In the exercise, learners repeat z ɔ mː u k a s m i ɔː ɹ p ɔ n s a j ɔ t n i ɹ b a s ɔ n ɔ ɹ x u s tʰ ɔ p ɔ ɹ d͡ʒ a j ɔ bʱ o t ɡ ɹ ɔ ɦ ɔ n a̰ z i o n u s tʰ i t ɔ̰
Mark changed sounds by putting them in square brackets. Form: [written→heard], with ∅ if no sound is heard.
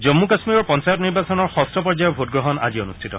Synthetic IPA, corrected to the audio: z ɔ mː u k a s m i [ɔː→ɔ] ɹ p ɔ n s a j ɔ t n i ɹ b a s ɔ n ɔ ɹ x [u→ɔ] s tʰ ɔ p ɔ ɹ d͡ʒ a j ɔ bʱ o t ɡ ɹ ɔ ɦ ɔ n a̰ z i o n u s tʰ i t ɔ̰